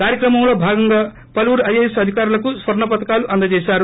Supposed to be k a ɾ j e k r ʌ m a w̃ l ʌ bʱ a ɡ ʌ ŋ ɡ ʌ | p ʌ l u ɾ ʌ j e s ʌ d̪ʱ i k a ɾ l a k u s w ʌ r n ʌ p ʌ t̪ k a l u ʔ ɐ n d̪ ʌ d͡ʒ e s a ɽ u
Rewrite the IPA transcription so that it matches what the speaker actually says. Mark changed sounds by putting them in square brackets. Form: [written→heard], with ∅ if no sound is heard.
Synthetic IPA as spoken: k a ɾ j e k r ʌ m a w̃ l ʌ bʱ a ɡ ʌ ŋ ɡ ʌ | p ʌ l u ɾ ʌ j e s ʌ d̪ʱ i k a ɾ l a k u s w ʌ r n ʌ p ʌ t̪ k a l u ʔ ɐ n d̪ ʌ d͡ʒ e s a [ɽ→ɾ] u